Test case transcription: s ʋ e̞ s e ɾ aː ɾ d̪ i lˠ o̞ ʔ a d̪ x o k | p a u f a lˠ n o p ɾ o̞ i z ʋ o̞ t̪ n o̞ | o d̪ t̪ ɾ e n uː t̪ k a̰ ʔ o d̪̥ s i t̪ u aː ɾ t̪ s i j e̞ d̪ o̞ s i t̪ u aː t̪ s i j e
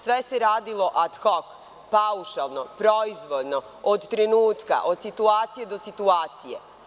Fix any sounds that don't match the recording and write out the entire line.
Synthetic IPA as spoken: s ʋ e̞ s e ɾ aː d̪ i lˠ o̞ ʔ a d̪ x o k | p a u ʃ a lˠ n o p ɾ o̞ i z ʋ o̞ d̪ n o̞ | o d̪ t̪ ɾ e n uː t̪ k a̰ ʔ o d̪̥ s i t̪ u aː t̪ s i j e̞ d̪ o̞ s i t̪ u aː t̪ s i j e